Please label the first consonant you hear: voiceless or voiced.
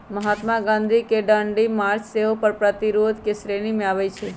voiced